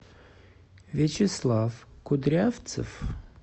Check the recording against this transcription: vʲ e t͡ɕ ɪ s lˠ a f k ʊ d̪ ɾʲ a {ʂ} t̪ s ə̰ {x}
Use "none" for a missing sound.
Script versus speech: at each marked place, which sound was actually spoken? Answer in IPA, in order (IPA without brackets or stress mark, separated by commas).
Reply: f, f